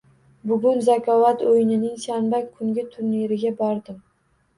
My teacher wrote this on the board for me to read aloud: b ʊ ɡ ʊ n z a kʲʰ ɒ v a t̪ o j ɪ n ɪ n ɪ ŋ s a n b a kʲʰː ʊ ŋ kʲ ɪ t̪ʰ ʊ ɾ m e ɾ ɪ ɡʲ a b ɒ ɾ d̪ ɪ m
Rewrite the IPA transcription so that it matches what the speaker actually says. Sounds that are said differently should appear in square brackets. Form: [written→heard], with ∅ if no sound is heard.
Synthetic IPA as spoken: b ʊ ɡ ʊ n z a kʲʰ ɒ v a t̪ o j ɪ n ɪ n ɪ ŋ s a n b a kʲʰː ʊ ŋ [kʲ→ɡʲ] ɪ t̪ʰ ʊ ɾ [m→n] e ɾ ɪ ɡʲ a b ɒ ɾ d̪ ɪ m

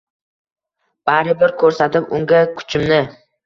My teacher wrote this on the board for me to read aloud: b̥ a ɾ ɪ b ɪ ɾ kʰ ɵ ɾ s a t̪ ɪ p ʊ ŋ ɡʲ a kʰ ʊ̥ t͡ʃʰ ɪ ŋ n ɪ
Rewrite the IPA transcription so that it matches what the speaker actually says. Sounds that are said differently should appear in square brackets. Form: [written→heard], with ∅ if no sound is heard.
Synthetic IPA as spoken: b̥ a ɾ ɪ b ɪ ɾ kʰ ɵ ɾ s a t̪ ɪ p ʊ ŋ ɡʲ a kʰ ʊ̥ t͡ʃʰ ɪ [ŋ→m] n ɪ

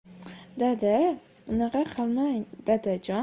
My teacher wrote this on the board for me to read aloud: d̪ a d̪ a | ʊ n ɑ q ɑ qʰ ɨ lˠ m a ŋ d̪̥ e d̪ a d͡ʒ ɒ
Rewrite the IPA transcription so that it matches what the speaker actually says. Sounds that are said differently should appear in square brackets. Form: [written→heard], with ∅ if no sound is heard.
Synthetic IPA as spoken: d̪ a d̪ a | ʊ n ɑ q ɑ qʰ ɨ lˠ m a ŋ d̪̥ [e→a] d̪ a d͡ʒ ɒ

